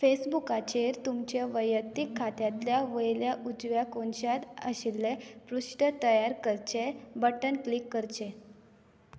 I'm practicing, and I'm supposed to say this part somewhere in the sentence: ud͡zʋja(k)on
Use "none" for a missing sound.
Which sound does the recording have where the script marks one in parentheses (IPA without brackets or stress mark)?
k